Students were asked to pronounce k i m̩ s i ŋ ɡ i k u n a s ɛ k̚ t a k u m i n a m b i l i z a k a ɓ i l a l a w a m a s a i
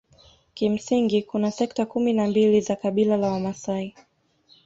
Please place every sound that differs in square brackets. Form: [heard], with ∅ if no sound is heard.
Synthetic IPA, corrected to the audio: k i m̩ s i ŋ ɡ i k u n a s ɛ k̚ t a k u m i n a m b i l i z a k a ɓ i l a l a w a m a s a i